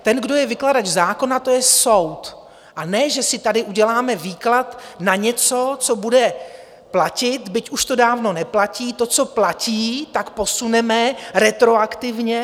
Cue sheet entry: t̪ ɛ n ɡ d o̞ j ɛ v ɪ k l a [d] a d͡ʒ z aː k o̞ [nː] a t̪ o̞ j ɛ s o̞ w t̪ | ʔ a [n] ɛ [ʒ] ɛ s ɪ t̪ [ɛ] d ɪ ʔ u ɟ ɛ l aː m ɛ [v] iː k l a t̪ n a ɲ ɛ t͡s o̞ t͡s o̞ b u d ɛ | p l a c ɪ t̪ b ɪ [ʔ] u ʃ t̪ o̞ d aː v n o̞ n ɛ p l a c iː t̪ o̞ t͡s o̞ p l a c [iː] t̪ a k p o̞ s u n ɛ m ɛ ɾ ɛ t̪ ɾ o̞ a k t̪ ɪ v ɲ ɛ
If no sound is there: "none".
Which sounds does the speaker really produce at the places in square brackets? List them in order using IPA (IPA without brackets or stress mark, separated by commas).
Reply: d, n, n, ʒ, a, v, c, iː